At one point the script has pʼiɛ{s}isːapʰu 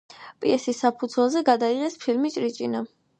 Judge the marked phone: correct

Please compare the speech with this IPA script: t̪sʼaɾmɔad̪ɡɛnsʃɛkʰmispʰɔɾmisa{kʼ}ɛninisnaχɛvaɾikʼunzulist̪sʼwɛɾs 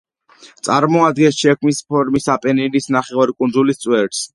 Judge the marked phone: incorrect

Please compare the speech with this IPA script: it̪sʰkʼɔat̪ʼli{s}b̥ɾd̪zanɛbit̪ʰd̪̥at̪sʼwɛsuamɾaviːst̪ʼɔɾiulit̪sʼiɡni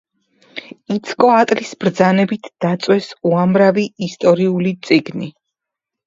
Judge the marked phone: correct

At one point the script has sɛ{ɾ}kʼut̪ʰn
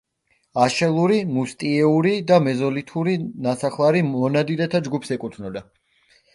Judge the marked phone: incorrect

